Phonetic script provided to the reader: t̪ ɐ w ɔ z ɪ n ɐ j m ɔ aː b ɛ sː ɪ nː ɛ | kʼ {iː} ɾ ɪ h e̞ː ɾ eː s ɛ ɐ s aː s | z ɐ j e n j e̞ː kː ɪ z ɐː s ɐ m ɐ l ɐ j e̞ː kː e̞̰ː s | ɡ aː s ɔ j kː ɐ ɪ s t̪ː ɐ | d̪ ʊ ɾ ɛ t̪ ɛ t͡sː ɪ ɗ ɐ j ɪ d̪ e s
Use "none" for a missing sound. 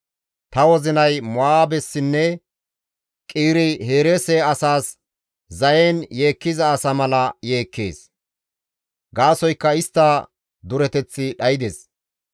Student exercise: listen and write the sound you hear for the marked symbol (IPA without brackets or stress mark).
iː